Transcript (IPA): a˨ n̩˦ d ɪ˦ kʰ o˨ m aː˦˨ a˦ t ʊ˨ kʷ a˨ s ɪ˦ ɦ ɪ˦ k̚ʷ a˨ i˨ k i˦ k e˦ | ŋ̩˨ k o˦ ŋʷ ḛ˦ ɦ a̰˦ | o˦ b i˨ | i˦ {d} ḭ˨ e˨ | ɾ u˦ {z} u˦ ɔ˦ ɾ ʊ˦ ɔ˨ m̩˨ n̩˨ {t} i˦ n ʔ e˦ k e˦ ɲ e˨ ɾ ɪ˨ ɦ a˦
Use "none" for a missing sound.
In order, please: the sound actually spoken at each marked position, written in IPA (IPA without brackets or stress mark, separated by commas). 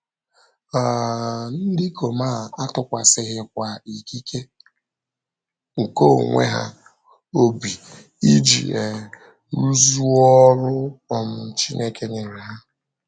d͡ʒ, z, t͡ʃ